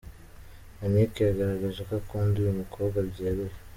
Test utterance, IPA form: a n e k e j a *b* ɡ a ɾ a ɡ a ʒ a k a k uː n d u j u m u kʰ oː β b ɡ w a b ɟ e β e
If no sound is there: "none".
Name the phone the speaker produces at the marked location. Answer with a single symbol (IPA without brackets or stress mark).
none